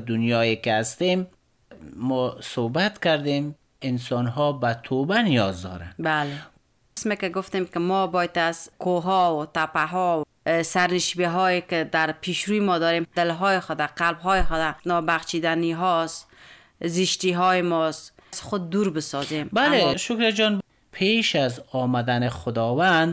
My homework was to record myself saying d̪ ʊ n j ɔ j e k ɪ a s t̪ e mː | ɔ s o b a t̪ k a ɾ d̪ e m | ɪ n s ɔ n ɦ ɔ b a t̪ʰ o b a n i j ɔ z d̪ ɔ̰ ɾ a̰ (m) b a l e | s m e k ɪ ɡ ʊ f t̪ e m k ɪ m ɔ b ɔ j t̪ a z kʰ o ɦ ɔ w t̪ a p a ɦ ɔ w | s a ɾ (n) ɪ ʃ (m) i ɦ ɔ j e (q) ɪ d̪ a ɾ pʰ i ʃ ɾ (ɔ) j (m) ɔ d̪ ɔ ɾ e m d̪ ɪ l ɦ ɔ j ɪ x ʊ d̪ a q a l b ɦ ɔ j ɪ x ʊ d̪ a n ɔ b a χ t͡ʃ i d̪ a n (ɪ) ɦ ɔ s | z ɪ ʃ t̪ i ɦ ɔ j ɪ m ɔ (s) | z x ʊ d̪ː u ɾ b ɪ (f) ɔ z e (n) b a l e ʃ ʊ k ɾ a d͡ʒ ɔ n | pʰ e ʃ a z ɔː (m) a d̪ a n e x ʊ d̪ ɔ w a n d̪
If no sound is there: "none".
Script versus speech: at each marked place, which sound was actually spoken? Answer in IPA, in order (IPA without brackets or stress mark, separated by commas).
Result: n, n, b, k, u, m, i, s, s, m, m